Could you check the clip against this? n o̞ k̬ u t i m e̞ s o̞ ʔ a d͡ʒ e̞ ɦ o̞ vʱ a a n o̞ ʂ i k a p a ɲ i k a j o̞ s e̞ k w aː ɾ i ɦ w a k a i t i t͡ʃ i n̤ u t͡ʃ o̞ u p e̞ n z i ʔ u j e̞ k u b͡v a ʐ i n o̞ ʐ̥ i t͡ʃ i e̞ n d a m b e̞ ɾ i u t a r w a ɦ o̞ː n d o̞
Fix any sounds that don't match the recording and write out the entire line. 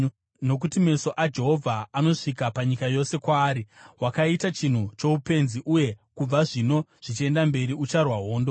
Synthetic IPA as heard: n o̞ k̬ u t i m e̞ s o̞ ʔ a d͡ʒ e̞ ɦ o̞ vʱ a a n o̞ ʂ i k a p a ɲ i k a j o̞ s e̞ k w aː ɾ i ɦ w a k a i t a t͡ʃ i n̤ u t͡ʃ o̞ u p e̞ n z i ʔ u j e̞ k u b͡v a ʐ i n o̞ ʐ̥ i t͡ʃ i e̞ n d a m b e̞ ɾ i u t͡ʃ a r w a ɦ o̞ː n d o̞